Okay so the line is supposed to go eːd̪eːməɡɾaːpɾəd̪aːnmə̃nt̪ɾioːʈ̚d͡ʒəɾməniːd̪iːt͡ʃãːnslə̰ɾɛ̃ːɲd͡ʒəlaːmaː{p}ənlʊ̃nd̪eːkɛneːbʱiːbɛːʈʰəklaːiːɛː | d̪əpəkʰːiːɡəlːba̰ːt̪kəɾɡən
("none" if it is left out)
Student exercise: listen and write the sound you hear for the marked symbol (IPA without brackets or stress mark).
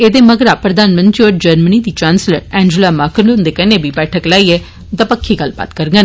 k